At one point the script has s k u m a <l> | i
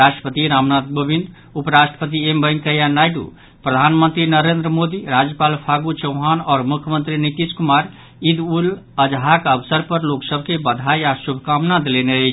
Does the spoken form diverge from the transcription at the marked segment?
yes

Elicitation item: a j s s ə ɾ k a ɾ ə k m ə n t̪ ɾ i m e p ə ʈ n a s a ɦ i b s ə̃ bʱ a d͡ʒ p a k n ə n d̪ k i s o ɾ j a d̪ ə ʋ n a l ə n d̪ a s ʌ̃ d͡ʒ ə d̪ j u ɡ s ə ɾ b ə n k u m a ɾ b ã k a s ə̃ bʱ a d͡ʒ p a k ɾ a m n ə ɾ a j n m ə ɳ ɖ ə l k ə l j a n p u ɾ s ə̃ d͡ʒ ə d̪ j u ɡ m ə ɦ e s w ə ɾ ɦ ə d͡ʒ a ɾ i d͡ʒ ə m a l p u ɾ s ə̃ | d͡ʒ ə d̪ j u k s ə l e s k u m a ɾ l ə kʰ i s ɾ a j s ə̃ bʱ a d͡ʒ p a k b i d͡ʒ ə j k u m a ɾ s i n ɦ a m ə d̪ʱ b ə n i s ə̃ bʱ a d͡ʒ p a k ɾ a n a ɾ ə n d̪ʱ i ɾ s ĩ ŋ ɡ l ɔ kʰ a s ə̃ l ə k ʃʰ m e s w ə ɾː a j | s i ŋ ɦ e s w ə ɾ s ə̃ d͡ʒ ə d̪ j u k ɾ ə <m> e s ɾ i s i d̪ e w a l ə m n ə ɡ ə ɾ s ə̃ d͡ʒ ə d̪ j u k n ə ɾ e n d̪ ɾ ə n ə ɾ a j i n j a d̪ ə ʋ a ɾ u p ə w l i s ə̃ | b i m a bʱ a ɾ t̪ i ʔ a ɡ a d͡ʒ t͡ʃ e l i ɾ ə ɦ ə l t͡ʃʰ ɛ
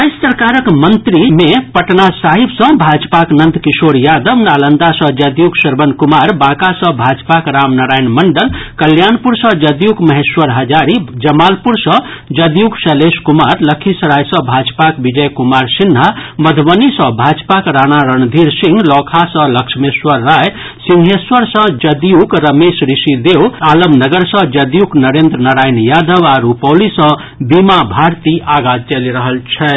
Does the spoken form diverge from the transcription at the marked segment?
no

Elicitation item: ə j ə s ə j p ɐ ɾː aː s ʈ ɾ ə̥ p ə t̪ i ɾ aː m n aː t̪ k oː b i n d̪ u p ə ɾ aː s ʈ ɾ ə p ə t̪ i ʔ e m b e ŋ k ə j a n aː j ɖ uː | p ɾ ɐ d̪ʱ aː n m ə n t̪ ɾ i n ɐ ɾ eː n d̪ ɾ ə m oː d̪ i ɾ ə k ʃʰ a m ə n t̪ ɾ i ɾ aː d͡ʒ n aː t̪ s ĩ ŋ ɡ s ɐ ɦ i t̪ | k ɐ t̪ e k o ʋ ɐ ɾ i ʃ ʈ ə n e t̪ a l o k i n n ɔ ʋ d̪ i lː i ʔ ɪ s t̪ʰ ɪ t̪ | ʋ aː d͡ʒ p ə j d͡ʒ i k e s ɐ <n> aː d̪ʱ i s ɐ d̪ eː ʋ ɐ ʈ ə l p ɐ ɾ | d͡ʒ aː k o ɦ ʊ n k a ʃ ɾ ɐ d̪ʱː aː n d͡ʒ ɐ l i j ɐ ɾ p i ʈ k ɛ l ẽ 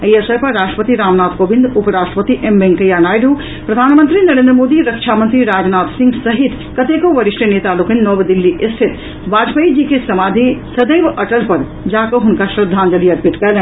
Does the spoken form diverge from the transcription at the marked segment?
yes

